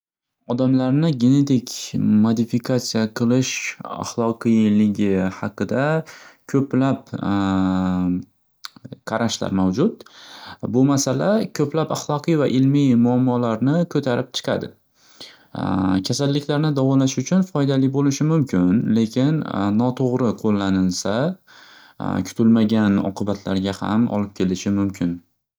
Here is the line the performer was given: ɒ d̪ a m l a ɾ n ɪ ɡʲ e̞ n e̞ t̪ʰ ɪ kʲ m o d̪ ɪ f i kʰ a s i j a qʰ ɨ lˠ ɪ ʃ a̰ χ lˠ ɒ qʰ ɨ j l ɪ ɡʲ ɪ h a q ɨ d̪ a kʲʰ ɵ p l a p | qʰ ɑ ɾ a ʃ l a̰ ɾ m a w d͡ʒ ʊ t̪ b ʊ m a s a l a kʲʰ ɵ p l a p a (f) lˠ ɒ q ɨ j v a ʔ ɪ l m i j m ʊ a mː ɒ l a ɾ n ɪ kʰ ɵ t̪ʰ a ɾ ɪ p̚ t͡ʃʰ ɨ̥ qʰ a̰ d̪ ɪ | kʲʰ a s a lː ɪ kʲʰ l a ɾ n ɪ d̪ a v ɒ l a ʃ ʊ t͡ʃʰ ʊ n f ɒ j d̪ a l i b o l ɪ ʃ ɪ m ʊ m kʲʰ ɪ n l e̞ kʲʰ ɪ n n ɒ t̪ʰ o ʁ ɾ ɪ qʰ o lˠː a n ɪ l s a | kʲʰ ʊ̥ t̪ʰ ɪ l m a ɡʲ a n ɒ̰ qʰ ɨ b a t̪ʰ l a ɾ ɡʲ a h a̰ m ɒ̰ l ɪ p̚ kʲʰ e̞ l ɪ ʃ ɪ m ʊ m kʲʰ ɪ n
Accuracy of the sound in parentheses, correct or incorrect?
incorrect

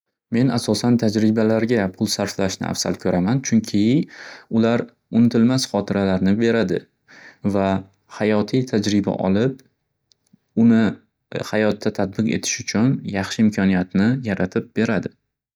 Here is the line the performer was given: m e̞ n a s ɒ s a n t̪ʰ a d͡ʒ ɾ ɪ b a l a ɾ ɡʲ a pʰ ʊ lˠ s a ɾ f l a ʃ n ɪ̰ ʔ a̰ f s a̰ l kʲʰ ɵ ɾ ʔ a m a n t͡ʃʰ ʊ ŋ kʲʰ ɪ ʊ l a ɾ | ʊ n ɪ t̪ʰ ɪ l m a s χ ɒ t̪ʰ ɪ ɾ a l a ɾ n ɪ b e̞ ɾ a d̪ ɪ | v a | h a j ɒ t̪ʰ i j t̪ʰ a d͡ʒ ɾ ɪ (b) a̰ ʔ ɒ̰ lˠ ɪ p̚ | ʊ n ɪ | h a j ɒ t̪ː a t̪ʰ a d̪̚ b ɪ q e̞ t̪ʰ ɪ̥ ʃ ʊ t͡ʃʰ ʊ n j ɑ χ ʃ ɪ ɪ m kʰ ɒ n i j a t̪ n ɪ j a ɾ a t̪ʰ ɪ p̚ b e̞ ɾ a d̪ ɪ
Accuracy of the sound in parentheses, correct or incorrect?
correct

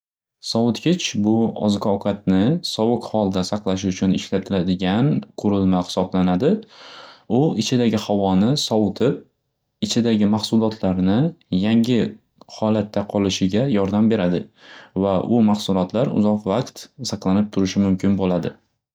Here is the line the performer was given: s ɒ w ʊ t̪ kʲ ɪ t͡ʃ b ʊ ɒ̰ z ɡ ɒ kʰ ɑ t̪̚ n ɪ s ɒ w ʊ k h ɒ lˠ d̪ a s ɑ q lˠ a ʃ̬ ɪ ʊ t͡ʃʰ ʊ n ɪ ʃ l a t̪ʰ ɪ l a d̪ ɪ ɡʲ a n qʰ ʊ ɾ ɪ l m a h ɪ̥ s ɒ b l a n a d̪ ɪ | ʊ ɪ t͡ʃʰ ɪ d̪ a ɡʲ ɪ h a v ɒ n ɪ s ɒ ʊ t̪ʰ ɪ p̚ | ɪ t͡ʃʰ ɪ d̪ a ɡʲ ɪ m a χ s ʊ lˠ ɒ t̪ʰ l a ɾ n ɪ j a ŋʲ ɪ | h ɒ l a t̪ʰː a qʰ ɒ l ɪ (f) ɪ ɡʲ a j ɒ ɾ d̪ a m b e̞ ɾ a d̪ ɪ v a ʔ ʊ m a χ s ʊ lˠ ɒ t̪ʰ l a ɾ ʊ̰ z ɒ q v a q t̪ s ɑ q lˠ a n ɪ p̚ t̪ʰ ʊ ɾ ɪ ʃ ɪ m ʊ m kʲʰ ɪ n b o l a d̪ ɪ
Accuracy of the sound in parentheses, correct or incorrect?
incorrect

